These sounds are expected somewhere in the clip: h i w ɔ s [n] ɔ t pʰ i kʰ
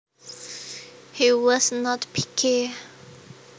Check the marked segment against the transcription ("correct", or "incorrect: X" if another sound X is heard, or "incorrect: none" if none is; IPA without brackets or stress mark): correct